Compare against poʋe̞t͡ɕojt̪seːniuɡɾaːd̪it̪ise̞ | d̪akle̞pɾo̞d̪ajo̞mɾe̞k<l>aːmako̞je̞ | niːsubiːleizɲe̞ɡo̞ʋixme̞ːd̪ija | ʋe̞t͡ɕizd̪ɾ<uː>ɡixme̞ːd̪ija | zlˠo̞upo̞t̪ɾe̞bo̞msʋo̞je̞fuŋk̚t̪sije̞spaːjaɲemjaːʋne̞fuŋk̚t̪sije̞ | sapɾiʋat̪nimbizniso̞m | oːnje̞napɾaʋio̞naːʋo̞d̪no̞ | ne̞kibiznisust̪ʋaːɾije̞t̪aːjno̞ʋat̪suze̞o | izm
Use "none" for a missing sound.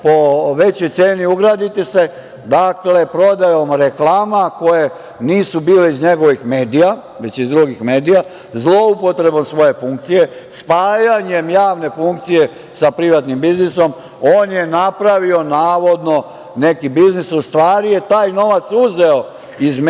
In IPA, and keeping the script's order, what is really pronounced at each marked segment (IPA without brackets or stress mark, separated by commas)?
l, u